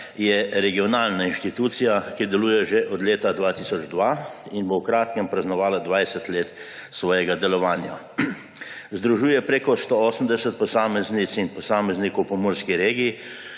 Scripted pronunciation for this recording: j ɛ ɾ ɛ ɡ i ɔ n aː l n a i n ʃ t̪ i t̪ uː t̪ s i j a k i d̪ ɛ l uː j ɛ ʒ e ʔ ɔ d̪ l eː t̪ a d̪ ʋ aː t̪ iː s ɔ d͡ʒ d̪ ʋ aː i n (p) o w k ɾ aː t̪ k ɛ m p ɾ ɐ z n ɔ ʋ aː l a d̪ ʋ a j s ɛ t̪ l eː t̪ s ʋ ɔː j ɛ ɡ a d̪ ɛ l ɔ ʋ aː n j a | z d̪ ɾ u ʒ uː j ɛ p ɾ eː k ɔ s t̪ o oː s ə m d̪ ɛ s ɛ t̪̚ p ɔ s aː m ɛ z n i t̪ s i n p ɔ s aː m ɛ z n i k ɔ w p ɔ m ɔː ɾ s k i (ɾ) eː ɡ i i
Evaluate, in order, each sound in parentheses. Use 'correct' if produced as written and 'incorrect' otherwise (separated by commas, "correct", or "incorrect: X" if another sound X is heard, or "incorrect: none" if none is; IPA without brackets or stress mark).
incorrect: b, correct